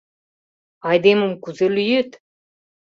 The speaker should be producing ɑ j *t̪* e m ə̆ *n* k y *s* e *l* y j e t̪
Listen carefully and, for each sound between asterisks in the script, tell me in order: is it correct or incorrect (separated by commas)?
incorrect, incorrect, incorrect, correct